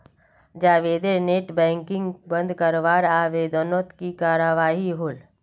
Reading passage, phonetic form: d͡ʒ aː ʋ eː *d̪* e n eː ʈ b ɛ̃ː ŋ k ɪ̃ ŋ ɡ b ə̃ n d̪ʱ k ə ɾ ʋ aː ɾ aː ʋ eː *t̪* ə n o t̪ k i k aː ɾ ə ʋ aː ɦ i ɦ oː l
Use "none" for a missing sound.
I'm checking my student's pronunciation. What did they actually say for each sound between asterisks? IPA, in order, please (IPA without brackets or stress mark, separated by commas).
d̪, d̪